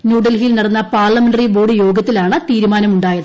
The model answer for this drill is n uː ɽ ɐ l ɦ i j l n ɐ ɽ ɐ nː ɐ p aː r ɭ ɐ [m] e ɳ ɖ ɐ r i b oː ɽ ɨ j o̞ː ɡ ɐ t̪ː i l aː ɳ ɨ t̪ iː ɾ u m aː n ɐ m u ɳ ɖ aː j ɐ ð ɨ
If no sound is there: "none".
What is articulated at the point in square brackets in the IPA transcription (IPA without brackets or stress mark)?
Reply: m